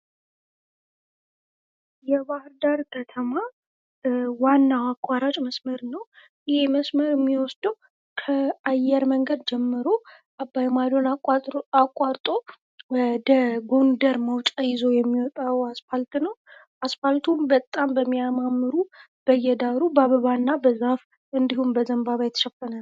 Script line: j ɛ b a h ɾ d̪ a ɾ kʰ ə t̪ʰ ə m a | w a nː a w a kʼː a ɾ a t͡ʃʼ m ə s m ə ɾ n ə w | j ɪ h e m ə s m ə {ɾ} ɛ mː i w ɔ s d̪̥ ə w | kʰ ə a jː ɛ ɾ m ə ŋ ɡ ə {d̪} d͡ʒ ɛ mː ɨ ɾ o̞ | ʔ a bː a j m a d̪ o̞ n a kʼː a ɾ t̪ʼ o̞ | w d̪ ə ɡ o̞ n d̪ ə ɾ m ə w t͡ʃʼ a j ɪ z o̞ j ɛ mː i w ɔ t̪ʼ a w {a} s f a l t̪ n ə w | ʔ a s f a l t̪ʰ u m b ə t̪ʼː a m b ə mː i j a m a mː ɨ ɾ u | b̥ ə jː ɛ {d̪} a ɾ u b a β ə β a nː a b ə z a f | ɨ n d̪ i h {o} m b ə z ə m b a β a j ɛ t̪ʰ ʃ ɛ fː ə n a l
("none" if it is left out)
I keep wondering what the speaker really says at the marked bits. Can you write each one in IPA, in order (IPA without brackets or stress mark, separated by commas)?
ɾ, d̪, a, d̪, u